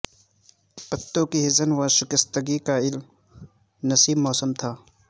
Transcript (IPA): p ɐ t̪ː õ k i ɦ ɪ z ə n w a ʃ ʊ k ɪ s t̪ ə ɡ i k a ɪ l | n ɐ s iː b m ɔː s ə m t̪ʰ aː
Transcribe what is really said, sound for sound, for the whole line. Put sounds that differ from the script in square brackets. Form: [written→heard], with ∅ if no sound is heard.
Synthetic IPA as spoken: p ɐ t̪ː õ k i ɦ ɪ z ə n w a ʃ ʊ k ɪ s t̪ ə ɡ i k a ɪ l | n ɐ s iː b m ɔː s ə m t̪ʰ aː